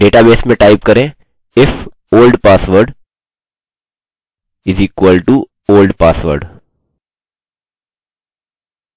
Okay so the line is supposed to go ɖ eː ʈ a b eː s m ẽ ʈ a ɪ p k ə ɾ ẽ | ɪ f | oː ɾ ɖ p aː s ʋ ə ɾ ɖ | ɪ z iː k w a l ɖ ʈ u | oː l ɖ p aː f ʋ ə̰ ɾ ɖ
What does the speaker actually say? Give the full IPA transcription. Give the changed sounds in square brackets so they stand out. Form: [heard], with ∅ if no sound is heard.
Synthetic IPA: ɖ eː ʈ a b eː s m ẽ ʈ a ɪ p k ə ɾ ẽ | ɪ f | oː [l] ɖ p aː s ʋ ə ɾ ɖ | ɪ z iː k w [ə] l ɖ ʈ u | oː l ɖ p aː [s] ʋ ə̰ ɾ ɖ